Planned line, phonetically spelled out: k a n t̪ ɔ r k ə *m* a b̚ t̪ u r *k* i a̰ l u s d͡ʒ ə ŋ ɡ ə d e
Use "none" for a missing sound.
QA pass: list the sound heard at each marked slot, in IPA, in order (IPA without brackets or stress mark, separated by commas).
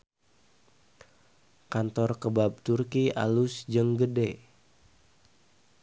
b, k